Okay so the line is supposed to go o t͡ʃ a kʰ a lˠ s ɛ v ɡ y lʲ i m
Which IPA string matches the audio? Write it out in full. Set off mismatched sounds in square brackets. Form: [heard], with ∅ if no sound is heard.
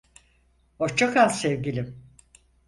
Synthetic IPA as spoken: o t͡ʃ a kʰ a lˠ s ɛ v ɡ [i] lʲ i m